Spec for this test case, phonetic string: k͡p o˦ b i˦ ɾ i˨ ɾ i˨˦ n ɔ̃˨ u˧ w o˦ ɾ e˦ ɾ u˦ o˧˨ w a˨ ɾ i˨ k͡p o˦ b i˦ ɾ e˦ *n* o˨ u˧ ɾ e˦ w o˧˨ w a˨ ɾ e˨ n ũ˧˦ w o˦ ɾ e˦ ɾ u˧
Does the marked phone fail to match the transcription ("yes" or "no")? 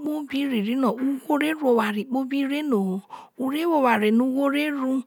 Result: no